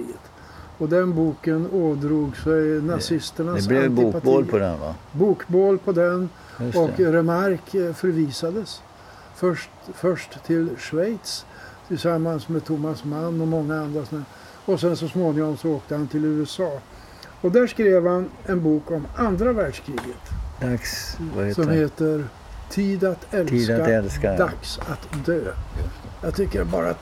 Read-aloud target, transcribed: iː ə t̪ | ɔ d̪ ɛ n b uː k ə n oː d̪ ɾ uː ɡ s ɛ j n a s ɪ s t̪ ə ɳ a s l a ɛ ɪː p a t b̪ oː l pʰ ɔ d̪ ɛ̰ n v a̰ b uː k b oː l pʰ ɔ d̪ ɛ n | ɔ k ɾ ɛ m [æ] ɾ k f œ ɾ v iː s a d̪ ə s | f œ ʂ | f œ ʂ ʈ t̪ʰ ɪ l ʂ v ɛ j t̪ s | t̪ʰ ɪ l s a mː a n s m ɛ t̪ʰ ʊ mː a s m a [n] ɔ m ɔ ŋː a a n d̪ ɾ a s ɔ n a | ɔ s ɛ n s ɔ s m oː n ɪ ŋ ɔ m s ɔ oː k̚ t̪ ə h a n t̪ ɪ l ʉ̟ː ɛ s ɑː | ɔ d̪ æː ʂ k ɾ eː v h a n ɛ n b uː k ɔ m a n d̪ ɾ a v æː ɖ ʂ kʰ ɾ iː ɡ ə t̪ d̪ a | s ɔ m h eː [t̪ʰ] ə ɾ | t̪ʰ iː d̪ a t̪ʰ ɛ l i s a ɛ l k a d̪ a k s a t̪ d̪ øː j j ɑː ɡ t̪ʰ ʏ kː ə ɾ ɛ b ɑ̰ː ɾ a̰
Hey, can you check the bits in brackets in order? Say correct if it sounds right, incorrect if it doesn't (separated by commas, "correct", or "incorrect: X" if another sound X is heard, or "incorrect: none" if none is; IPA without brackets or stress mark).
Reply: incorrect: a, incorrect: nː, incorrect: t̪